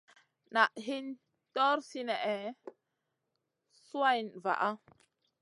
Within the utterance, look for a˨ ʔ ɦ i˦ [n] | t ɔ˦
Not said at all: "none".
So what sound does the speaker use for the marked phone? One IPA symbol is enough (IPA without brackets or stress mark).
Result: n